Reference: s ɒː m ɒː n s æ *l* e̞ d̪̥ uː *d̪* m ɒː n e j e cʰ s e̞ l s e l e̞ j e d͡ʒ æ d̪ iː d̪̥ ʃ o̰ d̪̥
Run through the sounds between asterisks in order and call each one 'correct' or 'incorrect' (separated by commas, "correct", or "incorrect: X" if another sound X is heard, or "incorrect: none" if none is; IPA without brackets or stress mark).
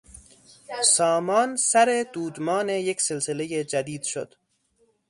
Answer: incorrect: ɾ, correct